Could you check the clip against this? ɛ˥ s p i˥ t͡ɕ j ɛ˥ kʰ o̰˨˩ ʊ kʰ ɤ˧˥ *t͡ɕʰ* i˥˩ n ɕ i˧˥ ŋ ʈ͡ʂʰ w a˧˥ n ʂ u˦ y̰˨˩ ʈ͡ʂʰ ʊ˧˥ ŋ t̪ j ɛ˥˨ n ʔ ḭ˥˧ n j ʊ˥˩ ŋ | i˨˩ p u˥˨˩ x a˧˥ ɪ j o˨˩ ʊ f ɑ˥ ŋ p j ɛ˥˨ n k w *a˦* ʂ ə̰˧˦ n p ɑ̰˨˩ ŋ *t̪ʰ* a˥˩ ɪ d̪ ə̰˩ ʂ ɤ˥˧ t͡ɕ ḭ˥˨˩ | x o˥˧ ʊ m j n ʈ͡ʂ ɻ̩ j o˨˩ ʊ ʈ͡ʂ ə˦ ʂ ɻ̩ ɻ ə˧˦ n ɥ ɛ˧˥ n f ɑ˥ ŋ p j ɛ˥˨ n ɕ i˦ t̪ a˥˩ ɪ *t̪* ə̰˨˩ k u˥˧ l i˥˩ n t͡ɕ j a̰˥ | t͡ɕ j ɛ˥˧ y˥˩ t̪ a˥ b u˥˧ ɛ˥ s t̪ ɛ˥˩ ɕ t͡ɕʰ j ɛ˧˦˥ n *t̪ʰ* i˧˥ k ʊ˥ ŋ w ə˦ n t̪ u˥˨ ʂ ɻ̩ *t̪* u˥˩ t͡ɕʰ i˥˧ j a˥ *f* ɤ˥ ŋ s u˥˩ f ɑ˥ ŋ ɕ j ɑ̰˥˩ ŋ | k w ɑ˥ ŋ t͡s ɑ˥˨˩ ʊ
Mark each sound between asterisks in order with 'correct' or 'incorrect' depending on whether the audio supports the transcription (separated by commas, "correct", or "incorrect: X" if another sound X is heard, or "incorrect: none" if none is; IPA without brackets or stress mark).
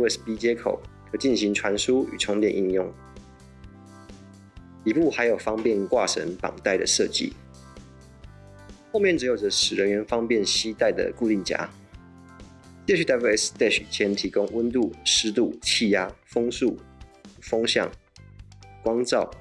incorrect: t͡ɕ, incorrect: a˥˨, incorrect: t̪, incorrect: d̪, correct, correct, correct